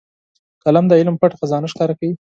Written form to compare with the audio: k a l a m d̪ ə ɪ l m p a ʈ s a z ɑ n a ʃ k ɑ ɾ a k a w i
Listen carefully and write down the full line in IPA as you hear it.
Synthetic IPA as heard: k a l a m d̪ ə ɪ l m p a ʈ x a z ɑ n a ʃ k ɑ ɾ a k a w i